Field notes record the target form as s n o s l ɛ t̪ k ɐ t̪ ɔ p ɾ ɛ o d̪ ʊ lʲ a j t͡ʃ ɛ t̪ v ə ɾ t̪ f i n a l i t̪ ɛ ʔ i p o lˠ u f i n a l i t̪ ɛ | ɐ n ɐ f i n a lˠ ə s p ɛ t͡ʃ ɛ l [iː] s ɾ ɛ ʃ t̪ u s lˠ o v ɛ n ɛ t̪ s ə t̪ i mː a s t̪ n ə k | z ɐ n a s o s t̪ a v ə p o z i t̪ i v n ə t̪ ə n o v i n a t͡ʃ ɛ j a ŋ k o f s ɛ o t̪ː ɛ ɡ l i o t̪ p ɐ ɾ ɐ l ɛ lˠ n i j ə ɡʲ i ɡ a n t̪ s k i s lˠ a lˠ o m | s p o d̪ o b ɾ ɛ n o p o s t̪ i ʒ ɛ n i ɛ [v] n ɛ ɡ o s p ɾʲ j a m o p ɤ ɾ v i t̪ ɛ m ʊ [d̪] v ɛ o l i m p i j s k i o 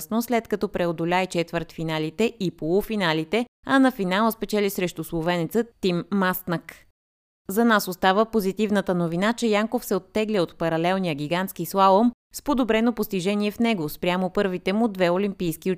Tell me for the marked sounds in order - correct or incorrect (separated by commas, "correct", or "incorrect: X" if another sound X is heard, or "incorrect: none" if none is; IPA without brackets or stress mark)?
incorrect: i, incorrect: f, correct